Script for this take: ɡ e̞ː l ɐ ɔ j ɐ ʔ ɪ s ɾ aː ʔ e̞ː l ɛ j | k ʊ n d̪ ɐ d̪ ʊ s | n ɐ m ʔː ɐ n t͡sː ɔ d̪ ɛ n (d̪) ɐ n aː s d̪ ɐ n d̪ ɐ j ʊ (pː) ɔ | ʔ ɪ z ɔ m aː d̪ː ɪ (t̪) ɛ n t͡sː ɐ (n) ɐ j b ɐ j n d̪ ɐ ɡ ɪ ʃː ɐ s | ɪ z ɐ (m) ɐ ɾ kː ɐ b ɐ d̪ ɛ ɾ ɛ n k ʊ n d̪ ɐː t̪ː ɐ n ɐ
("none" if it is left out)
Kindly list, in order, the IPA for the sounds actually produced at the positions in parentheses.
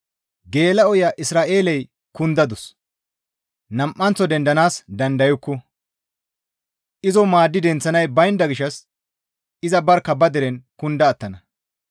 d̪, kː, d̪, n, b

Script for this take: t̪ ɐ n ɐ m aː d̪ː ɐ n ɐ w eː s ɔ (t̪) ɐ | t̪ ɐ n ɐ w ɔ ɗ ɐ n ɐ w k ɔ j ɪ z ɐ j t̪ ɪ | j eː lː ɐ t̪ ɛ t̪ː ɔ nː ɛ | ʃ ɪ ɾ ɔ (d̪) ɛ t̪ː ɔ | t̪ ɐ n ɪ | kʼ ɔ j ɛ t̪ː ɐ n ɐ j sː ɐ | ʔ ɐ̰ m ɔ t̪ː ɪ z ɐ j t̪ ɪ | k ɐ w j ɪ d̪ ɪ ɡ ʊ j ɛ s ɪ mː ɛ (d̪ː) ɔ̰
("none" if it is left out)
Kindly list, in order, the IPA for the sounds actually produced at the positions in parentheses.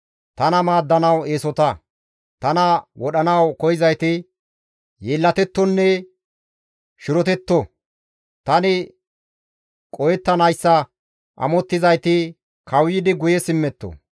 t̪, t̪, t̪ː

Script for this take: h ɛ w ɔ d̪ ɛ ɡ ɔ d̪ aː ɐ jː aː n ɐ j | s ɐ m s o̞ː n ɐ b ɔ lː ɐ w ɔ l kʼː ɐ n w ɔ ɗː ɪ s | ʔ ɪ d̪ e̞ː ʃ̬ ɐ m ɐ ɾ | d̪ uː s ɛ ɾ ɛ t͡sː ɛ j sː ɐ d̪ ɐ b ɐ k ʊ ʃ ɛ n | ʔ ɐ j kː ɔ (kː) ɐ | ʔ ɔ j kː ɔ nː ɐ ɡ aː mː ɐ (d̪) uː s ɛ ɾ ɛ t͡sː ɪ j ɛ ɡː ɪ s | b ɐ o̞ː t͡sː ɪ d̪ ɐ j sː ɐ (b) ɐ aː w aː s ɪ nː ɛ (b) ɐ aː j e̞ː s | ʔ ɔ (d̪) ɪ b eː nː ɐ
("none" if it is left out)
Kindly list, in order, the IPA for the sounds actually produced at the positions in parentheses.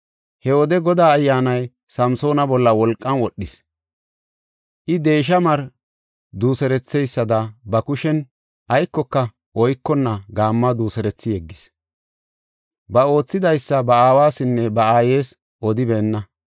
kː, d̪, b, b, d̪

